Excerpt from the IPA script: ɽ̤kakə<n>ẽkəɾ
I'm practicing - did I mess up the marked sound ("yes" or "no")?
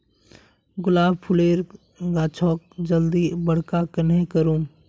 no